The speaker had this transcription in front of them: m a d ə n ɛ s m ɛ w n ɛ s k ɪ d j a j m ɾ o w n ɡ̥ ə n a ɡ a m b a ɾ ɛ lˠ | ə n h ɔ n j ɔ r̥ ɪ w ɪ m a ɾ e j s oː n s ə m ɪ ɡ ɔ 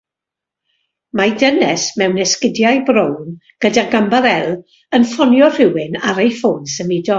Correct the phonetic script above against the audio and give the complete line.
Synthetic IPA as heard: m a d ə n ɛ s m ɛ w n ɛ s k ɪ d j a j b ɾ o w n ɡ̥ ə d a ɡ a m b a ɾ ɛ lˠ | ə n f ɔ n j ɔ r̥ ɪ w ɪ n a ɾ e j f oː n s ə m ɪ d ɔ